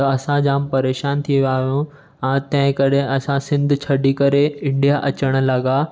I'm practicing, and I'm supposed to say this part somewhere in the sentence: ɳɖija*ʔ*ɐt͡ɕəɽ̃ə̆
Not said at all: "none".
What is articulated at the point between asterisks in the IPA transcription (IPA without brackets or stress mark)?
ʔ